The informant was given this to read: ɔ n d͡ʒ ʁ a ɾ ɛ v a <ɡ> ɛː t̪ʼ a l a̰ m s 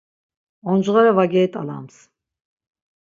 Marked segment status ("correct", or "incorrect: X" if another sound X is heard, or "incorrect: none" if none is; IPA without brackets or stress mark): correct